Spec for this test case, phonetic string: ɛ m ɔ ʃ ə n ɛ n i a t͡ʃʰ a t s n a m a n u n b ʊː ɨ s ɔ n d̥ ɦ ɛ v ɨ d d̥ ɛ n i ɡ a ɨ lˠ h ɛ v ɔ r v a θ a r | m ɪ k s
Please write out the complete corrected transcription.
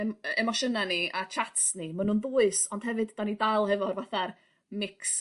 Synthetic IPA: ɛ m ɔ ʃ ə n a n i a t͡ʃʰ a t s n i m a n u n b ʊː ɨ s ɔ n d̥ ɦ ɛ v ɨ d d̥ a n i d a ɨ lˠ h ɛ v ɔ r v a θ a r | m ɪ k s